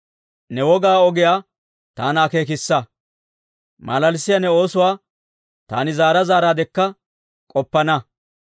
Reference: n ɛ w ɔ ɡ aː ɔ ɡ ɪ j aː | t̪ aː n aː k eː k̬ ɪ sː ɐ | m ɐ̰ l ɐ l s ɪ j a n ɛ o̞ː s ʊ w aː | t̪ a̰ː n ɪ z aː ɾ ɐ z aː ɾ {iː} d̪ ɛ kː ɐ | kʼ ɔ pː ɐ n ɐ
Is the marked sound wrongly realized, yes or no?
yes